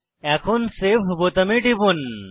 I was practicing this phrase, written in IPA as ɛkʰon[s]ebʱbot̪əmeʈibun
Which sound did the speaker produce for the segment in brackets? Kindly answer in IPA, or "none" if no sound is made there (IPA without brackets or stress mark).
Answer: s